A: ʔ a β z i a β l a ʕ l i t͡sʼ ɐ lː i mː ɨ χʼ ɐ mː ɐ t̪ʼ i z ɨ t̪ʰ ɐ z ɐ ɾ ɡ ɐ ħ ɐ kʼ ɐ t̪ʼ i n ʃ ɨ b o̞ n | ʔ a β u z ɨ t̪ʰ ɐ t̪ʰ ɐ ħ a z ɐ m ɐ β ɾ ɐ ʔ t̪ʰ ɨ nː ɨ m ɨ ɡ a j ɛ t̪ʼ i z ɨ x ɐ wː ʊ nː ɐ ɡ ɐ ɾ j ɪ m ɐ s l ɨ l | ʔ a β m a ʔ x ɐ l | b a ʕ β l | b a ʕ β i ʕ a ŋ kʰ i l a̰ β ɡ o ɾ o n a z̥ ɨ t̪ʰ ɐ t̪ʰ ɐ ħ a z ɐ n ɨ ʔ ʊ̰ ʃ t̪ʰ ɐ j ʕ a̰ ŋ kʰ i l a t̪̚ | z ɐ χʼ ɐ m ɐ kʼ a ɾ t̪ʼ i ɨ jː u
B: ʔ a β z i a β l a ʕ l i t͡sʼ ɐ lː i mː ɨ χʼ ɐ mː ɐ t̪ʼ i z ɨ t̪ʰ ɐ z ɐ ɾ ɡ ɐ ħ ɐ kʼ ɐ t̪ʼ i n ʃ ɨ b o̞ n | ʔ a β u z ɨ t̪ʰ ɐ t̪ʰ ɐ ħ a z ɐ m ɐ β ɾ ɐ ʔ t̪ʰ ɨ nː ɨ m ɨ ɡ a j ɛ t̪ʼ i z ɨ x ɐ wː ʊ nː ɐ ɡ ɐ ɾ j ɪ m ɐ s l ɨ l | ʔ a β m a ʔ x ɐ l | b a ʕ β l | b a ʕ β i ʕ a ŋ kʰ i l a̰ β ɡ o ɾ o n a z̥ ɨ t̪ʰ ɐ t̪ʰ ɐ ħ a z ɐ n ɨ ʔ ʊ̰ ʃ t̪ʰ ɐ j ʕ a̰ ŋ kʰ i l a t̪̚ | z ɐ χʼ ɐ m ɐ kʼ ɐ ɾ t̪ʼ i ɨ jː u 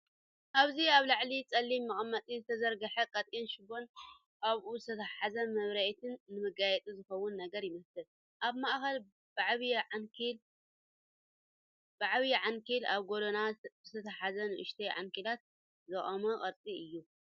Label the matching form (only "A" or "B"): B